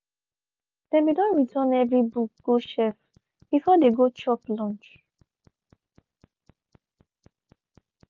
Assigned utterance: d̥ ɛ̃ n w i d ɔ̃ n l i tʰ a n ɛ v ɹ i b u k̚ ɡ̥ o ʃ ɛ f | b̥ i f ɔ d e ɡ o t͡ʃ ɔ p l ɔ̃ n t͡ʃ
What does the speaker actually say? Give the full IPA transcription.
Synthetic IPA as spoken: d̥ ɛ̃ n w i d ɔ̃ n ɹ i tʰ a n ɛ v ɹ i b u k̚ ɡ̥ o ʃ ɛ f | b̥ i f ɔ d e ɡ o t͡ʃ ɔ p l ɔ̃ n t͡ʃ